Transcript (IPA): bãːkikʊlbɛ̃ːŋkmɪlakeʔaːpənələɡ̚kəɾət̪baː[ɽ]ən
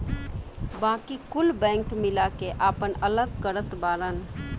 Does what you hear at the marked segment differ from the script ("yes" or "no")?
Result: yes